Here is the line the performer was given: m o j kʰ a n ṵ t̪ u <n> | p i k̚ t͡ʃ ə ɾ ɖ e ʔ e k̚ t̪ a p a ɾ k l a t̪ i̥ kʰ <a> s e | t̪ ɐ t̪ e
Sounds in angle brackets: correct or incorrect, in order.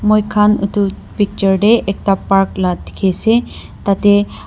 incorrect: none, incorrect: e

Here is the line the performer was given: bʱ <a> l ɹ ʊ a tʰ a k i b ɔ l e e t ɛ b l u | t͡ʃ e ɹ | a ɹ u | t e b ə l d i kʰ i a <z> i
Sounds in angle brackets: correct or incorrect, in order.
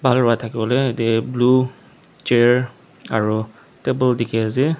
correct, correct

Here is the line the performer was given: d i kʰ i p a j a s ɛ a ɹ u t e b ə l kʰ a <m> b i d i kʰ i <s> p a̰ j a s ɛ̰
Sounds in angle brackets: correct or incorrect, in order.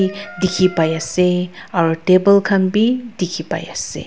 incorrect: n, incorrect: none

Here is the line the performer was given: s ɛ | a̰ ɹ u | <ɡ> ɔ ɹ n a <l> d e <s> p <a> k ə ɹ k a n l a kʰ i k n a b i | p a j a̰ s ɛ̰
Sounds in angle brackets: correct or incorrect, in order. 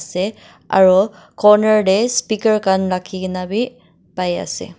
incorrect: k, incorrect: ɹ, correct, incorrect: i

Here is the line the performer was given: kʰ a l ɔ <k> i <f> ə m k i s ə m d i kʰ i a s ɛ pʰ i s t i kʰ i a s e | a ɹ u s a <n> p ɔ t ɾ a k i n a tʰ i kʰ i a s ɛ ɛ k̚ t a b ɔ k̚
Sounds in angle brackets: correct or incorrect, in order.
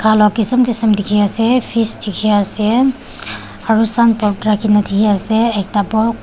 correct, incorrect: s, correct

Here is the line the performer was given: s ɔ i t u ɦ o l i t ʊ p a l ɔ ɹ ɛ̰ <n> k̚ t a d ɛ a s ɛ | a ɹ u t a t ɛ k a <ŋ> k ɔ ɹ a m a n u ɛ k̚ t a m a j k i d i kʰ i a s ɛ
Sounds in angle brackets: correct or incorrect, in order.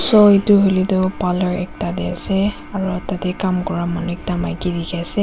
incorrect: none, incorrect: m

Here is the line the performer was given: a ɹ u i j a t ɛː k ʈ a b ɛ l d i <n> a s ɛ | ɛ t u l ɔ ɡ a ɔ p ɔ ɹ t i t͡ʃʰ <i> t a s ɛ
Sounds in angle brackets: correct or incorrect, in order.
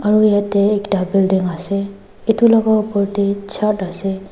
incorrect: ŋ, incorrect: a

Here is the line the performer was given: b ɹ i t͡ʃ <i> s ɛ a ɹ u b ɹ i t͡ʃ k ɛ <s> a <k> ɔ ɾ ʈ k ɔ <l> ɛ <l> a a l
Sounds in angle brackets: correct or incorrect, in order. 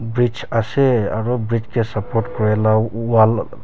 incorrect: a, correct, incorrect: p, incorrect: ɹ, correct

